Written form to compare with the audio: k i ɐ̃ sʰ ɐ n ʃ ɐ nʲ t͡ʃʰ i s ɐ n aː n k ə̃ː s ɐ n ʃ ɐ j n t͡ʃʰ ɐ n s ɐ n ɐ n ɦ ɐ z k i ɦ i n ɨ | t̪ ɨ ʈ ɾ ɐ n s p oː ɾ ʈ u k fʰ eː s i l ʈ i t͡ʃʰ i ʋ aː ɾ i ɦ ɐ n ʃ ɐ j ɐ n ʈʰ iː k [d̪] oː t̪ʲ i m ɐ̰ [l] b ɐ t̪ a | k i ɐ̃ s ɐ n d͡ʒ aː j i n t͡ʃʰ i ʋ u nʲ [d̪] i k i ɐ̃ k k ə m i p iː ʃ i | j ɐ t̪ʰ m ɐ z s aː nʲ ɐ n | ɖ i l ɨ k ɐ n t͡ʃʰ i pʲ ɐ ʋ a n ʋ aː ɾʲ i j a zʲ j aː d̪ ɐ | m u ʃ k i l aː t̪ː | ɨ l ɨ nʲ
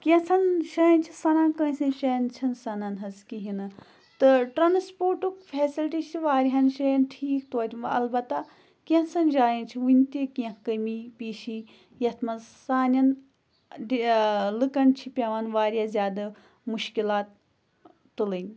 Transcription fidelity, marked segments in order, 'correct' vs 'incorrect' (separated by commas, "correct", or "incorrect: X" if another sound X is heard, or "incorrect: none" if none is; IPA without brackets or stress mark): incorrect: t̪, correct, incorrect: t̪